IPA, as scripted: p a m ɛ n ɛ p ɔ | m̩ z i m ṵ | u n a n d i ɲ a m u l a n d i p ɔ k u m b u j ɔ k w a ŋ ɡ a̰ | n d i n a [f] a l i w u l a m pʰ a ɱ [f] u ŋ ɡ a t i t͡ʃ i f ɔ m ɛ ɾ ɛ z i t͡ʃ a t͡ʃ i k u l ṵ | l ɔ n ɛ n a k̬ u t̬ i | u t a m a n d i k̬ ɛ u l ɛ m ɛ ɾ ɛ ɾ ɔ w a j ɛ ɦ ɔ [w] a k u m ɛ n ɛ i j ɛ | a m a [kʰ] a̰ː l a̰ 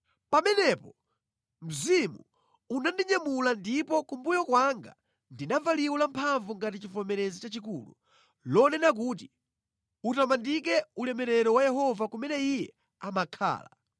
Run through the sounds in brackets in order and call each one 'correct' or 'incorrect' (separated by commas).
incorrect, incorrect, incorrect, correct